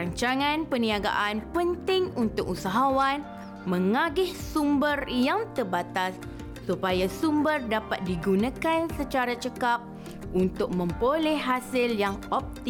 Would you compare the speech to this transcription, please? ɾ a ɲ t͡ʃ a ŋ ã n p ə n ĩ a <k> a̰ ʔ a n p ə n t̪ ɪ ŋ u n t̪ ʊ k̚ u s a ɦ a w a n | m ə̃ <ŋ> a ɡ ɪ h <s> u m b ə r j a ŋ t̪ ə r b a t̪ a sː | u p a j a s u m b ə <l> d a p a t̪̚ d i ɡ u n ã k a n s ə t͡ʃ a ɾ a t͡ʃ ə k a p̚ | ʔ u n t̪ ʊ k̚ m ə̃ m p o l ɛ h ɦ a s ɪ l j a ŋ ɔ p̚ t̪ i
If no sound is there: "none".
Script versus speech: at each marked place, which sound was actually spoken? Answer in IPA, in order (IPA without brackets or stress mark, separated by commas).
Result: ɡ, ŋ, s, r